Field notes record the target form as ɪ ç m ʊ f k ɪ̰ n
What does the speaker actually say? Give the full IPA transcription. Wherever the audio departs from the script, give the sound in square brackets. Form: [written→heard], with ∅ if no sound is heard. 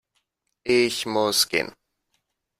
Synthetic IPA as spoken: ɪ ç m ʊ [f→s] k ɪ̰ n